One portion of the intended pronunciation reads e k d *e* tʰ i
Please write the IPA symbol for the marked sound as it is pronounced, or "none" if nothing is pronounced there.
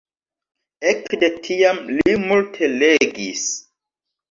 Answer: e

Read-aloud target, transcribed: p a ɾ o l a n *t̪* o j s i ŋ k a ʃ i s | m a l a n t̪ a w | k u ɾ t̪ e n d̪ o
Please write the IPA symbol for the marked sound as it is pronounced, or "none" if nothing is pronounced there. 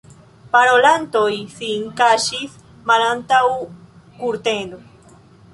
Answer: t̪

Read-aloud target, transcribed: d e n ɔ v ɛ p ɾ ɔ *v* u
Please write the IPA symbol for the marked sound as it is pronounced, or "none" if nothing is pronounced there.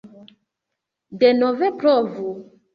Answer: v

